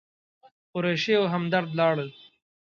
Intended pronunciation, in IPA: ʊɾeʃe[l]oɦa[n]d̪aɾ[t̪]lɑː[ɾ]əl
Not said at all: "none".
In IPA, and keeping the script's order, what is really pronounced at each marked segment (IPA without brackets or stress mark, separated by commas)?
none, m, d̪, ɽ